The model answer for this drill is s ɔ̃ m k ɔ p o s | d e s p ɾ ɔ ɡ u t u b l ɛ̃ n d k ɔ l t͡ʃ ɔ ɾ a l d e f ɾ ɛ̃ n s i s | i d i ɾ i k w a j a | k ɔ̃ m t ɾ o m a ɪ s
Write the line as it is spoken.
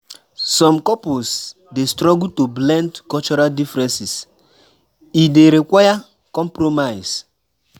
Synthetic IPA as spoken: s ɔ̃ m k ɔ p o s | d e s t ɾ ɔ ɡ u t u b l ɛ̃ n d k ɔ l t͡ʃ ɔ ɾ a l d i f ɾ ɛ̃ n s i s | i d e ɾ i k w a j a | k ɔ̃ m p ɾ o m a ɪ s